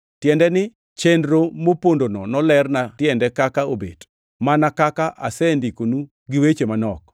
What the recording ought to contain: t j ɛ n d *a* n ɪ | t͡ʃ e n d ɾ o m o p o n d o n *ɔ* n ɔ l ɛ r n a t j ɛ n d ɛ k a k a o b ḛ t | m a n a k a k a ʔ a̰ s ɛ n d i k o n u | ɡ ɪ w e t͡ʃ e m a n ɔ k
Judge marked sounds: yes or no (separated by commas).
no, yes